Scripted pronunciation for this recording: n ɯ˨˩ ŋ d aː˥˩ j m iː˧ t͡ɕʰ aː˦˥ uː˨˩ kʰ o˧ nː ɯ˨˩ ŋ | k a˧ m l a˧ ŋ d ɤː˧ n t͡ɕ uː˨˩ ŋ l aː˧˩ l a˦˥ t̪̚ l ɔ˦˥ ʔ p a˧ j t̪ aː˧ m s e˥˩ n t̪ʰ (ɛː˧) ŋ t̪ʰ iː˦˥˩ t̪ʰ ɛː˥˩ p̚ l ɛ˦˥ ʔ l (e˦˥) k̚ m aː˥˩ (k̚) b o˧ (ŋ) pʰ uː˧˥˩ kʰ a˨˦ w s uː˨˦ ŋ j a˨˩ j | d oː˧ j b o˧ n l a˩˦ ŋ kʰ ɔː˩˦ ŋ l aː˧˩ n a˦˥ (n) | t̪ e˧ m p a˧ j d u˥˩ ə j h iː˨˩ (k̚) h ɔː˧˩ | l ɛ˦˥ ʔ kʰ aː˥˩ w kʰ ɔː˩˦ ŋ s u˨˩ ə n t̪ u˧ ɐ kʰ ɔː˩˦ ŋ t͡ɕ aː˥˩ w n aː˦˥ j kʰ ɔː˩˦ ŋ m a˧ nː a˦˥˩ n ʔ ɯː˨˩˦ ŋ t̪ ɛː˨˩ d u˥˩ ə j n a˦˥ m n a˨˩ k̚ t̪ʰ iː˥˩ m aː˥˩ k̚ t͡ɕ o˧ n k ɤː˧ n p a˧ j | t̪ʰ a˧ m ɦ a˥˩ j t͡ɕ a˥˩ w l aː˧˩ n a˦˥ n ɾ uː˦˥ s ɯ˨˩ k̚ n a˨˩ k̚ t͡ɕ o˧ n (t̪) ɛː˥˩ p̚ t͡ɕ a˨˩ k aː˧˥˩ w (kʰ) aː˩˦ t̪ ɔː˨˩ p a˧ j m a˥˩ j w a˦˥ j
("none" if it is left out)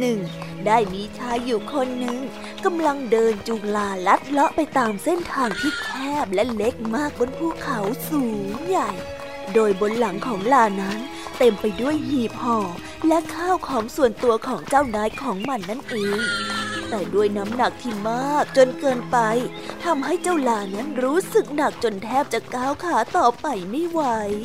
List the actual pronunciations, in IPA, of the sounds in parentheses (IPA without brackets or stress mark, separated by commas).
aː˧, e˦˥, k̚, n, n, p̚, t̪ʰ, kʰ